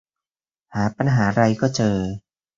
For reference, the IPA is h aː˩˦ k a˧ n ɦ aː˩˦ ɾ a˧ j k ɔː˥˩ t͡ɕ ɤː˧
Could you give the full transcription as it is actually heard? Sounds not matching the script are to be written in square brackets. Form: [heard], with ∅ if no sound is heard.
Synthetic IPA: h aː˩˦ [p] a˧ n ɦ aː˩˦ ɾ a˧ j k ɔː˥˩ t͡ɕ ɤː˧

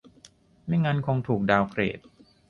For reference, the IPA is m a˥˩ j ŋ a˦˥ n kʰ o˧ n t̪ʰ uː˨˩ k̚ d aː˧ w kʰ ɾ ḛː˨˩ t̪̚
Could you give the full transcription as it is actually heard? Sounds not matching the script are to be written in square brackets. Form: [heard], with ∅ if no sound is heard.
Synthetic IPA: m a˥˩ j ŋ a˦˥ n kʰ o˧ [ŋ] t̪ʰ uː˨˩ k̚ d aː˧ w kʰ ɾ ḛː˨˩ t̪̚

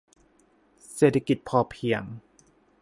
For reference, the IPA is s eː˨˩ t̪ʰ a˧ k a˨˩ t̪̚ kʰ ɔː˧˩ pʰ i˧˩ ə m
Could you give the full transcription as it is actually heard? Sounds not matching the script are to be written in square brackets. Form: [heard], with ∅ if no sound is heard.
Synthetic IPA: s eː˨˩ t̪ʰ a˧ k [i˨˩] t̪̚ [pʰ] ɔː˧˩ pʰ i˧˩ ə [ŋ]

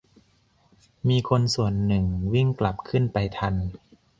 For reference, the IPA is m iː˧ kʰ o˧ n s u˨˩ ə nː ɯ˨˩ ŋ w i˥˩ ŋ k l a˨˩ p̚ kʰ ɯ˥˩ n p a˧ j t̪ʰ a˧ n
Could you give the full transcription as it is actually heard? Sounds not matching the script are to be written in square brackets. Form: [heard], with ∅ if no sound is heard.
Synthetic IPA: m iː˧ kʰ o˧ n s u˨˩ ə nː ɯ˨˩ ŋ w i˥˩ ŋ k l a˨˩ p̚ kʰ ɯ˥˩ n p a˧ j t̪ʰ a˧ n

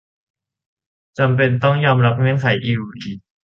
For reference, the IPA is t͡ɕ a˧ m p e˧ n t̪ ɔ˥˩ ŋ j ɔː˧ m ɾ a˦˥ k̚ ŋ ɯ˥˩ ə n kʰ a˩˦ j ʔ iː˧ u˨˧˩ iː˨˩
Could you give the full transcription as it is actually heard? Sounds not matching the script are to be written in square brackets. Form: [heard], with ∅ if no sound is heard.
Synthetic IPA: t͡ɕ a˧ m p e˧ n t̪ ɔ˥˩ ŋ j ɔː˧ m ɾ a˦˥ [p̚] ŋ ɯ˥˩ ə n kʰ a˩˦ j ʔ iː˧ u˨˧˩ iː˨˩

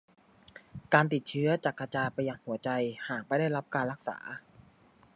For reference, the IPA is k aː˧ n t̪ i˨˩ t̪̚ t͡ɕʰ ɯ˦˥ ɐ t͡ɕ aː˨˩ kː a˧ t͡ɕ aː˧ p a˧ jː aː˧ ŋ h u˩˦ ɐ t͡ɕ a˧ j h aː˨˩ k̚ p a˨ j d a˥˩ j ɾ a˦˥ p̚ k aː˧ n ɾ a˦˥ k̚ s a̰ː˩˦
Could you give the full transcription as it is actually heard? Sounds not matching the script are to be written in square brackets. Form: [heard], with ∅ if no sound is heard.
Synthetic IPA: k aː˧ n t̪ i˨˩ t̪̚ t͡ɕʰ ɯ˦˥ ɐ t͡ɕ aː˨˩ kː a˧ t͡ɕ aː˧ p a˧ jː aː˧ ŋ h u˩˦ ɐ t͡ɕ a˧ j h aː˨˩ k̚ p [a˧˥] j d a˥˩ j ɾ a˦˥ p̚ k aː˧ n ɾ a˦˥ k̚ s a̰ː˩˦

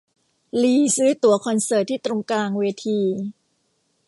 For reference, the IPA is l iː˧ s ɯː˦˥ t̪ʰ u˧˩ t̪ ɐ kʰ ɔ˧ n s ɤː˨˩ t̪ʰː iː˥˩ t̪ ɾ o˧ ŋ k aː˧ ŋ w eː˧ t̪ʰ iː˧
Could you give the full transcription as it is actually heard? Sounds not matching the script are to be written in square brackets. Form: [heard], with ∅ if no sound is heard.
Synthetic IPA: l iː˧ s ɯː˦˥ [t̪] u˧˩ [∅] ɐ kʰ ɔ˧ n s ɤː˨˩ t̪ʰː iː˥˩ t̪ ɾ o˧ ŋ k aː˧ ŋ w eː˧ t̪ʰ iː˧

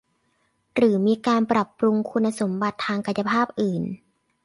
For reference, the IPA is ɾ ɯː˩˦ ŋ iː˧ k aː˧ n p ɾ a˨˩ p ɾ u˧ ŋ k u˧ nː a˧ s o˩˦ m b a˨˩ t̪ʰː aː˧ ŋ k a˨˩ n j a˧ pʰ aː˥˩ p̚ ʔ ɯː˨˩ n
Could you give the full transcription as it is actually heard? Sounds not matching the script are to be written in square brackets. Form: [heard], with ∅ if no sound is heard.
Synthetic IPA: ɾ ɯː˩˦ [m] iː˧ k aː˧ n p ɾ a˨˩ p ɾ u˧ ŋ [kʰ] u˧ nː a˧ s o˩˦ m b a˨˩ t̪ʰː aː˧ ŋ k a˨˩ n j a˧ pʰ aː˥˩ p̚ ʔ ɯː˨˩ n

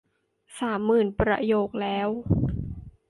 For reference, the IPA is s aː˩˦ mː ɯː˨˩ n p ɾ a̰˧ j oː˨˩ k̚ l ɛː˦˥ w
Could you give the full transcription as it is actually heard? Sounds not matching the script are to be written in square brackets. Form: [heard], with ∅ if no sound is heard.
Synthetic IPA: s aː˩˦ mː ɯː˨˩ n p ɾ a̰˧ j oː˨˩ k̚ l ɛː˦˥ w

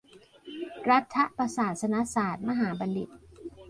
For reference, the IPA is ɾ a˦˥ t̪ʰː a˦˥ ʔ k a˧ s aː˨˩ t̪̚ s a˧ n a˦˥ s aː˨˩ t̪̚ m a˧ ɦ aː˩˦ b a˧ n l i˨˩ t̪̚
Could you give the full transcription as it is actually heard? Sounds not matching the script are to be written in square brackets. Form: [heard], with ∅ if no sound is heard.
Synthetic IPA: ɾ a˦˥ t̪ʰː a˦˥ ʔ [p] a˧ s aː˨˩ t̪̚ s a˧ n a˦˥ s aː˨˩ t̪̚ m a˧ ɦ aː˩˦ b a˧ n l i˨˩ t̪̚

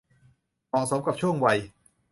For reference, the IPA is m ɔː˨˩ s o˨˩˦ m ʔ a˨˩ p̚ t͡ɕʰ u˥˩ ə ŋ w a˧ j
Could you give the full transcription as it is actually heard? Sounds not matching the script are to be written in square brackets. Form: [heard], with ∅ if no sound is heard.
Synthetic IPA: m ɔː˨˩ s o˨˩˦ m [k] a˨˩ p̚ t͡ɕʰ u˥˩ ə ŋ w a˧ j

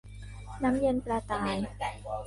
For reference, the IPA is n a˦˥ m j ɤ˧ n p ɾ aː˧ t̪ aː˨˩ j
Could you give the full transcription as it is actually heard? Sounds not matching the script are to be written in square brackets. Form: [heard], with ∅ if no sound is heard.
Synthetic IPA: n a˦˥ m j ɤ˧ n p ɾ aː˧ t̪ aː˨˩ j

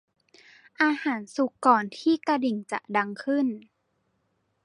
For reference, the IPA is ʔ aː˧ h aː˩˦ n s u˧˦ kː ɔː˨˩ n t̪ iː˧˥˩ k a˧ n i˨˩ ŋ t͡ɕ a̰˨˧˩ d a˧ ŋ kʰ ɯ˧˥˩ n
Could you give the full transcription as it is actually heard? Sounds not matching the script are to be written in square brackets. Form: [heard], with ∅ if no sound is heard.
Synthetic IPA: ʔ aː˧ h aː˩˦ n s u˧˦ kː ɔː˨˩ n [t̪ʰ] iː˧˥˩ k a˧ [d] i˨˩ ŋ t͡ɕ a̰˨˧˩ d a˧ ŋ kʰ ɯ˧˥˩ n

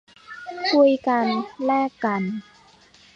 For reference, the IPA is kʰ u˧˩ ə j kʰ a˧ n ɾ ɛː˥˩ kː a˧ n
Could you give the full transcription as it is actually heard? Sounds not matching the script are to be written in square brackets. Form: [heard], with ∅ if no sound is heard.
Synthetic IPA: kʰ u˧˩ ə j [k] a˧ n [l] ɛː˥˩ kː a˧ n

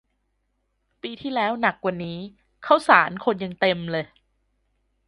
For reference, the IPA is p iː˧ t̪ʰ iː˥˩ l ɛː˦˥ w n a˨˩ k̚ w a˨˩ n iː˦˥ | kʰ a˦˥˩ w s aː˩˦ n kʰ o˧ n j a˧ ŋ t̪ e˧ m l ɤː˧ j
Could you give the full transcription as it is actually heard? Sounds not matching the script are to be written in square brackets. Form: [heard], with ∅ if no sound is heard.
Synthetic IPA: p iː˧ t̪ʰ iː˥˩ l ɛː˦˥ w n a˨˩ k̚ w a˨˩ n iː˦˥ | kʰ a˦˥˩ w s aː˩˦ n kʰ o˧ n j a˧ ŋ t̪ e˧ m l ɤː˧ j

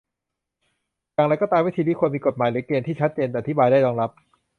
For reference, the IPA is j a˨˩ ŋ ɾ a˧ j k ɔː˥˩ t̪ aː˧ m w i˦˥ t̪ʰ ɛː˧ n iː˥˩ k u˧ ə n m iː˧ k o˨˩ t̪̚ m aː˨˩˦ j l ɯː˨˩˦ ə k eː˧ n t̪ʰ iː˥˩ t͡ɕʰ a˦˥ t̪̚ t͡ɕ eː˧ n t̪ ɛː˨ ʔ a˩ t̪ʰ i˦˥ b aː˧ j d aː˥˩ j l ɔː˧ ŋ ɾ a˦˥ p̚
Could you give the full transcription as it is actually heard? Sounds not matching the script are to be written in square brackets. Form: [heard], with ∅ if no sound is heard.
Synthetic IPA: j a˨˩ ŋ ɾ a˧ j k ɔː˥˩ t̪ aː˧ m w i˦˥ t̪ʰ [iː˧] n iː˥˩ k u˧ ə n m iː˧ k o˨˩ t̪̚ m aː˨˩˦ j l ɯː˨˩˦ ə k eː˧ n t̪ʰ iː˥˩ t͡ɕʰ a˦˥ t̪̚ t͡ɕ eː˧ n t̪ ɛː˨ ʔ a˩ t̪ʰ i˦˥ b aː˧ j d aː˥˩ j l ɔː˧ ŋ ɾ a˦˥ p̚

